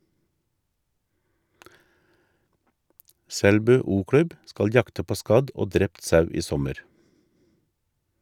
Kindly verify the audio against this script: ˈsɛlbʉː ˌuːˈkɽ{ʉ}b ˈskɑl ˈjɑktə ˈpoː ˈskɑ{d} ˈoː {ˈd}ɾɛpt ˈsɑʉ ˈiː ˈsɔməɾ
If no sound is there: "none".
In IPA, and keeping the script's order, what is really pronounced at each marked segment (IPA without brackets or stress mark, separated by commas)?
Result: ʉ, d, d